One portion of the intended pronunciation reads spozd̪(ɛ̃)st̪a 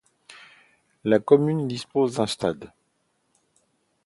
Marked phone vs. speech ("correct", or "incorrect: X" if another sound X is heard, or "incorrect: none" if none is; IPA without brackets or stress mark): correct